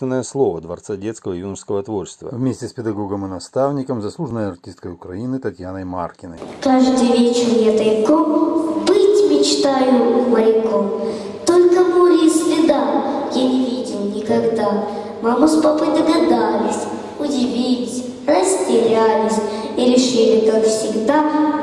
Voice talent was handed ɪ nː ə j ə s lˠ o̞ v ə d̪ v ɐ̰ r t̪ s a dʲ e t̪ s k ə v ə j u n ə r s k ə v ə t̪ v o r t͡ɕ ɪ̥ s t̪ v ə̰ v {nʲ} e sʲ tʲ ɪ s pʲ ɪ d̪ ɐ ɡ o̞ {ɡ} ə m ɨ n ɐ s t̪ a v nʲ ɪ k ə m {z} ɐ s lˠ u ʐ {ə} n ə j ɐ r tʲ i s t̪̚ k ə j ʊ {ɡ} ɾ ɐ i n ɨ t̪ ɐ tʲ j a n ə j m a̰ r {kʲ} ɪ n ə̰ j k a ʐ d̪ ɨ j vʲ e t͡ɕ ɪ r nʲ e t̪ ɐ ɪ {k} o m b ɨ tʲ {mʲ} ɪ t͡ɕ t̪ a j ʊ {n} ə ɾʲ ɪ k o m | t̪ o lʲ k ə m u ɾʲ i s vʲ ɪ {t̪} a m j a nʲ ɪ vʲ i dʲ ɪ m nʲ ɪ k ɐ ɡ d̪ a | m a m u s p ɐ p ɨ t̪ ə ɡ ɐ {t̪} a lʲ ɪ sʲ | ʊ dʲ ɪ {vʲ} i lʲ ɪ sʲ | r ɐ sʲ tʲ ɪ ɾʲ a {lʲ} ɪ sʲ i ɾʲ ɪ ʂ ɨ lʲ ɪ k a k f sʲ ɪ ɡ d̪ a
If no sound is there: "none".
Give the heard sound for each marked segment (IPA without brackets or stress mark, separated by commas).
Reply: mʲ, ɡ, z, ə, k, kʲ, k, mʲ, m, d̪, d̪, vʲ, lʲ